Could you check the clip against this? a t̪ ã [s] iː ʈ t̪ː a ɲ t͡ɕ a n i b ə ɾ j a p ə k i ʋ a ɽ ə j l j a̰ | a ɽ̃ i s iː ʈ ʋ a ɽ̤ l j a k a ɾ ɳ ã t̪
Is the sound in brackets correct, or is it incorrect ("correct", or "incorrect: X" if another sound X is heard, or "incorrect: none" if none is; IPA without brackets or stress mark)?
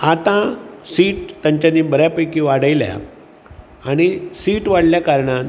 correct